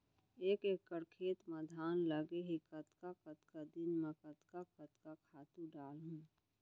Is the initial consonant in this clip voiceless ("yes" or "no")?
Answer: yes